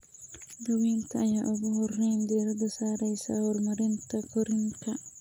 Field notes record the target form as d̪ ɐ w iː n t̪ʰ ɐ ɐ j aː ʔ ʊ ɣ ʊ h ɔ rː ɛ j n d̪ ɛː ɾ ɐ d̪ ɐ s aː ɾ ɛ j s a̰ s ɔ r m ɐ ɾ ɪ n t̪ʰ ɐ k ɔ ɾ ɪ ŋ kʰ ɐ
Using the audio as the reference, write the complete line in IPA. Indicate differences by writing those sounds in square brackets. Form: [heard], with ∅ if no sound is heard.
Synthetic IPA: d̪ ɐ w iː n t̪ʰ ɐ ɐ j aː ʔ ʊ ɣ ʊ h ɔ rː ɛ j n d̪ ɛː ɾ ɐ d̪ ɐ s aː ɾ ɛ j s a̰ [h] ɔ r m ɐ ɾ ɪ n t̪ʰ ɐ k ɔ ɾ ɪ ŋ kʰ ɐ

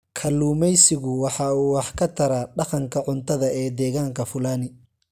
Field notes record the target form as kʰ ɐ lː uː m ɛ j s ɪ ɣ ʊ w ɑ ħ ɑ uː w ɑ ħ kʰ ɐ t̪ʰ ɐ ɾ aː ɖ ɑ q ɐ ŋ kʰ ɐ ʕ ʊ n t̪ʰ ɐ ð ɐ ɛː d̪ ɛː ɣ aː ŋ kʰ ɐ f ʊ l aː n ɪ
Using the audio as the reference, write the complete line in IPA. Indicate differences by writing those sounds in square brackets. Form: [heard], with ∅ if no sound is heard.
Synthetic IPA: kʰ ɐ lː uː m ɛ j s ɪ ɣ ʊ w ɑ ħ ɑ uː w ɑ ħ kʰ ɐ t̪ʰ ɐ ɾ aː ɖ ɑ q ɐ ŋ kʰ ɐ ʕ ʊ n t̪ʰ ɐ ð ɐ ɛː d̪ ɛː ɣ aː ŋ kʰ ɐ f ʊ l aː n ɪ

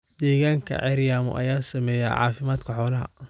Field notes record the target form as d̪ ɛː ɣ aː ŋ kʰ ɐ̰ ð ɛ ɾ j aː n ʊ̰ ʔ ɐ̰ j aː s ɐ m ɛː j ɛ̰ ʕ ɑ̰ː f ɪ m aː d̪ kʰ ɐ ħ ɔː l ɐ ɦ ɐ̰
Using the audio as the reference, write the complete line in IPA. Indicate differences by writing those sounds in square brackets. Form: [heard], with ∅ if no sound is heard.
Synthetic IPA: d̪ ɛː ɣ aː ŋ kʰ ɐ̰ [ʕ] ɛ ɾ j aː [m] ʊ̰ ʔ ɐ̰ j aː s ɐ m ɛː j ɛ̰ ʕ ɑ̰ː f ɪ m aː d̪ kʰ ɐ ħ ɔː l ɐ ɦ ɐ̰

